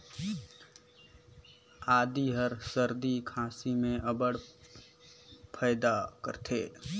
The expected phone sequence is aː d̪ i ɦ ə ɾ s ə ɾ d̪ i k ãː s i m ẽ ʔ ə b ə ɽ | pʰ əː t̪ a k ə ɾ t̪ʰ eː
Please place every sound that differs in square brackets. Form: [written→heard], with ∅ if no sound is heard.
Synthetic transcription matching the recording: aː d̪ i ɦ ə ɾ s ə ɾ d̪ i [k→kʰ] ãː s i m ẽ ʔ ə b ə ɽ | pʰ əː [t̪→d̪] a k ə ɾ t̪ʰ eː